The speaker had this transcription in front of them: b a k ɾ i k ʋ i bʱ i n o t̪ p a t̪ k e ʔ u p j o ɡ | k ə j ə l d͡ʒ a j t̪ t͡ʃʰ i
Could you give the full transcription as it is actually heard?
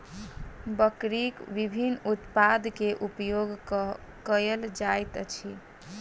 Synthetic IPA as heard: b ə k ɾ i k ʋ i bʱ i n u t̪ p a d̪ k e ʔ u p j o ɡ | k ə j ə l d͡ʒ a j t̪ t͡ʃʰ i